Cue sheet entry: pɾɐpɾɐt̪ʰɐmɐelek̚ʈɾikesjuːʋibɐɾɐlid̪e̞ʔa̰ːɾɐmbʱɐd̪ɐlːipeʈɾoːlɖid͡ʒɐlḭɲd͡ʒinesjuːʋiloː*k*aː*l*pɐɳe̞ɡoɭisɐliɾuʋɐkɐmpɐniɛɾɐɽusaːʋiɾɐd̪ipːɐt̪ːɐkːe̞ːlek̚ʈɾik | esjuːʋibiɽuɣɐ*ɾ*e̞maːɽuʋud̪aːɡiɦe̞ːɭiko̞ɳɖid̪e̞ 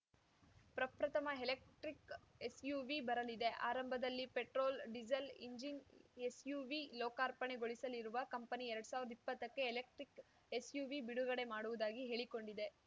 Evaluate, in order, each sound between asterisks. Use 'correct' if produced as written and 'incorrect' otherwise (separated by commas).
correct, incorrect, incorrect